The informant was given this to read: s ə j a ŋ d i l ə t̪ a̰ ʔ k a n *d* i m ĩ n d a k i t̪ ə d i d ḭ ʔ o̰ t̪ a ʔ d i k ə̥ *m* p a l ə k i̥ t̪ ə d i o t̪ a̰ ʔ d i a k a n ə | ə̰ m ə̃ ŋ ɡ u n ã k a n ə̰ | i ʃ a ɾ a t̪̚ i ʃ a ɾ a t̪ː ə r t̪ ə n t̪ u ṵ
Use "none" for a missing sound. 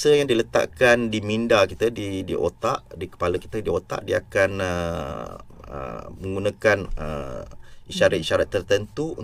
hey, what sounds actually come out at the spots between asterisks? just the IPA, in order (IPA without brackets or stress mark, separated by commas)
d, none